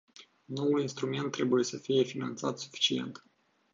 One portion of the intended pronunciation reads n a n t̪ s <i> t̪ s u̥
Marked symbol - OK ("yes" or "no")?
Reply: no